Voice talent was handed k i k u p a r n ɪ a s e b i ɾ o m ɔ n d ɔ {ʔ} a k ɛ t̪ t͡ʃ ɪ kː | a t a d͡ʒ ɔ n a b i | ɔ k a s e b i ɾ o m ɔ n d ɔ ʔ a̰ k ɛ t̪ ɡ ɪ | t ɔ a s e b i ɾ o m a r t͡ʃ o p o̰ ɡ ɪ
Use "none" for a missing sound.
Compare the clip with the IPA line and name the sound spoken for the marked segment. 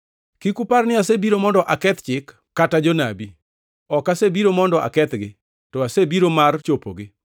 ʔ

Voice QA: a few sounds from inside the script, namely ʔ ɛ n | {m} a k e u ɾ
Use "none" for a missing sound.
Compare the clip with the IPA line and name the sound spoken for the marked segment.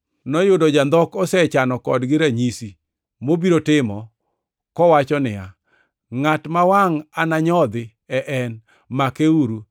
m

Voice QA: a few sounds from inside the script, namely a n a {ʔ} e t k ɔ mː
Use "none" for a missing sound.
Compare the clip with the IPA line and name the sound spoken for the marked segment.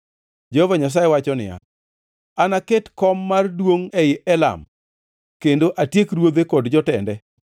k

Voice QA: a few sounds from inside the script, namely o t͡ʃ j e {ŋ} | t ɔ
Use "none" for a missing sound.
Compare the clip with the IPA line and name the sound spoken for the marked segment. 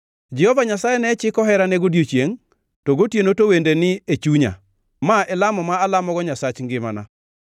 ŋ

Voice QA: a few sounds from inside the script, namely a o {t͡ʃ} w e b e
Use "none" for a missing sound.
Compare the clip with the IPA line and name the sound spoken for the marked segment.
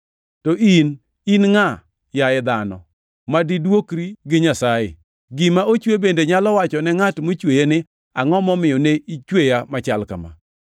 t͡ʃ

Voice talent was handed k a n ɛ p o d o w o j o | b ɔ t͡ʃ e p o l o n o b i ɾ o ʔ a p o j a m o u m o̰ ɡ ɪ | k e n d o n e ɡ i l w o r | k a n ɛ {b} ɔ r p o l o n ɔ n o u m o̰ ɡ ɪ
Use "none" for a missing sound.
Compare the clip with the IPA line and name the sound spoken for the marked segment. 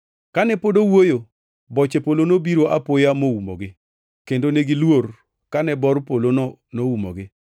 b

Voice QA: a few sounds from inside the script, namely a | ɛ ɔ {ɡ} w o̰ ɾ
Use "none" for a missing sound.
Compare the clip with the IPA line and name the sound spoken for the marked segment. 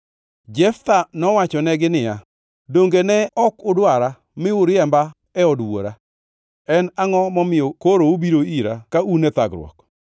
d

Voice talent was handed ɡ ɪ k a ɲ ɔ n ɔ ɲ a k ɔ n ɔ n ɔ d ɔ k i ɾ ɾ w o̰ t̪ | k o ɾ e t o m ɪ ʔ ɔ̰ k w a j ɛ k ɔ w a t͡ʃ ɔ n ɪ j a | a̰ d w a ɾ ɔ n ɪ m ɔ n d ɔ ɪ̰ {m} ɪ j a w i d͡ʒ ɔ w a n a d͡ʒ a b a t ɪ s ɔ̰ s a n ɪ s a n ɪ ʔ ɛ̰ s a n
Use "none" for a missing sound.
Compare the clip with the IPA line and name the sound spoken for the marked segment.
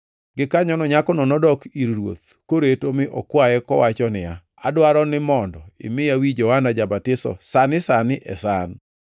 m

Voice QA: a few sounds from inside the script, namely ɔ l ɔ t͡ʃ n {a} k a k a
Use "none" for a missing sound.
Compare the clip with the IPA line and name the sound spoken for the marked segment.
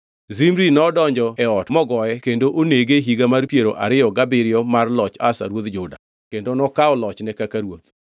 ɛ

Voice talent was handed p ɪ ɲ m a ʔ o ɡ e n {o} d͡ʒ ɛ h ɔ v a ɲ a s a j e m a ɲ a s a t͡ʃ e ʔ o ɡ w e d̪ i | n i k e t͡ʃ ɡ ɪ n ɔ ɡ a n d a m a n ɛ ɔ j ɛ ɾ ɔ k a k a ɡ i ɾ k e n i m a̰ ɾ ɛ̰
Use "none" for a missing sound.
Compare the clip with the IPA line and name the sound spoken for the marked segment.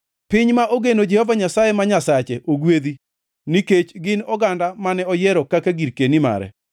o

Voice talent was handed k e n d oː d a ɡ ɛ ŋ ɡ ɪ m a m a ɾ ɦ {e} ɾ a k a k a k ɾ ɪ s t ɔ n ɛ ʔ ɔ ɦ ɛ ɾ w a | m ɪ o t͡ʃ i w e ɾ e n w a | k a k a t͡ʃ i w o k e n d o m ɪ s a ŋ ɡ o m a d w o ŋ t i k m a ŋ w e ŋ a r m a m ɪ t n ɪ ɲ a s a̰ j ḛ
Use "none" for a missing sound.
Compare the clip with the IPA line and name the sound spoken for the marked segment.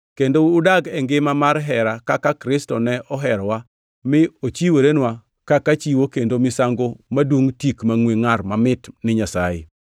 ɛ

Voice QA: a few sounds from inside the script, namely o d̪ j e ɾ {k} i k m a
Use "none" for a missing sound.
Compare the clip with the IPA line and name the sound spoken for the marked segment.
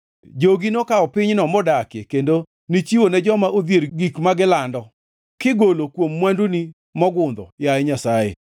ɡ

